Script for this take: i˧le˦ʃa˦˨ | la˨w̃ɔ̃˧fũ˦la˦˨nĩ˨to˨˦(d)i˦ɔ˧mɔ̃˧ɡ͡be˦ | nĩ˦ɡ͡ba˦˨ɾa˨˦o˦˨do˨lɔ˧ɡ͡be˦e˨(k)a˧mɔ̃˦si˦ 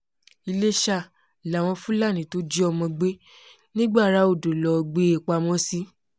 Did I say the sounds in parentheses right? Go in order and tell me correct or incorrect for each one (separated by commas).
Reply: incorrect, incorrect